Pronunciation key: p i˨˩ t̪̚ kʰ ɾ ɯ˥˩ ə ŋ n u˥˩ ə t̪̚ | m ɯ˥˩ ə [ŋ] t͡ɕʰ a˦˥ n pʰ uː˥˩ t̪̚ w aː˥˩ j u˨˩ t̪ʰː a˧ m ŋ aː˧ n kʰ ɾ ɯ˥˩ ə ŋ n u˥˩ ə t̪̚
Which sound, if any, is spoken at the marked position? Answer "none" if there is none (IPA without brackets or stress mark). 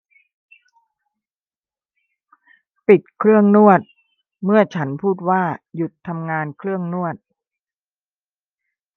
none